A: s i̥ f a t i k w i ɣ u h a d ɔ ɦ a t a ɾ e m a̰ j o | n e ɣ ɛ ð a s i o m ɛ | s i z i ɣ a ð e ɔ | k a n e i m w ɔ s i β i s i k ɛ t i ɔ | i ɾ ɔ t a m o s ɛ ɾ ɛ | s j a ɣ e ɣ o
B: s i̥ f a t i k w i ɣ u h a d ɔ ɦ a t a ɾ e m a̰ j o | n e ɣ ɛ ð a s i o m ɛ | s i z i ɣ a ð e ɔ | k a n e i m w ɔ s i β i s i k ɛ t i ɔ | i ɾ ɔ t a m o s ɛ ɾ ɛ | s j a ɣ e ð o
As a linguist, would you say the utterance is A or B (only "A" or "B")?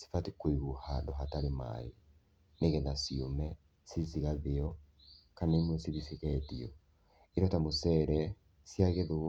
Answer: B